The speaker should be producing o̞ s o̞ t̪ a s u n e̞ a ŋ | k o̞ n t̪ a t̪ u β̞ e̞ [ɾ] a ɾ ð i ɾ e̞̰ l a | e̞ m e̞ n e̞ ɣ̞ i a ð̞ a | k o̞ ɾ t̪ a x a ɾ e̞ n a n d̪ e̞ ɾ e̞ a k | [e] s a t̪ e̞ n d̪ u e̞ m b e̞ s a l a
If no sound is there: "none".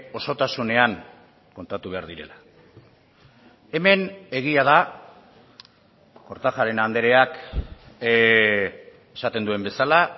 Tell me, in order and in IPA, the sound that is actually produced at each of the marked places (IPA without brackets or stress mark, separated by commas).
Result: none, e